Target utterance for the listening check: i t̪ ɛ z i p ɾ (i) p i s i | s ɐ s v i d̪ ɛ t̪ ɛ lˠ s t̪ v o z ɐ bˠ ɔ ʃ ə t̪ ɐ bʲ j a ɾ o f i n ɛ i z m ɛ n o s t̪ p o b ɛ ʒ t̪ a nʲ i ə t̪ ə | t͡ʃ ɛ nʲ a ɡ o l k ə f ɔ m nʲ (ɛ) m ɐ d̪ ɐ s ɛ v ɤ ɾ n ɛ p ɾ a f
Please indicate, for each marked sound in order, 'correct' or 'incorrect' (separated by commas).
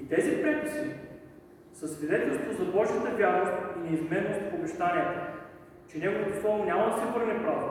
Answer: incorrect, incorrect